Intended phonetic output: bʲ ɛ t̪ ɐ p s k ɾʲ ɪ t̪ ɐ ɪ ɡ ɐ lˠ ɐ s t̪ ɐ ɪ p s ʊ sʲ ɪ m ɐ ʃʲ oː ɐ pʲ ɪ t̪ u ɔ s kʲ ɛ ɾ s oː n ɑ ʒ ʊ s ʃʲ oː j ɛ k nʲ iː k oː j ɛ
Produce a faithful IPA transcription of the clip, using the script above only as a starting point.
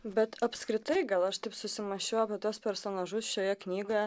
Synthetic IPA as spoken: bʲ ɛ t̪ ɐ p s k ɾʲ ɪ t̪ ɐ ɪ ɡ ɐ lˠ ɐ ʃ t̪ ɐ ɪ p s ʊ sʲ ɪ m ɐ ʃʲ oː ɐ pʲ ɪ t̪ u ɔ s pʲ ɛ ɾ s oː n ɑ ʒ ʊ s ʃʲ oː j ɛ k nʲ iː ɡ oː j ɛ